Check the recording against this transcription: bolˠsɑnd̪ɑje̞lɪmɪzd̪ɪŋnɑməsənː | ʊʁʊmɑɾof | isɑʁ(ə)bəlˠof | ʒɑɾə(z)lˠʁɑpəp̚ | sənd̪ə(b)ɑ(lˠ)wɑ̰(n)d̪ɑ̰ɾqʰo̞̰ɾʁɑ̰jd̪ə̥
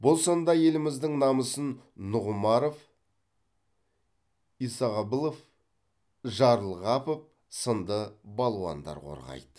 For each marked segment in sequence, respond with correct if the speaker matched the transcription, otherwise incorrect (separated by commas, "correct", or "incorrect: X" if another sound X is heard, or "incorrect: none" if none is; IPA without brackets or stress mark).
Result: incorrect: ɑ, incorrect: none, correct, correct, correct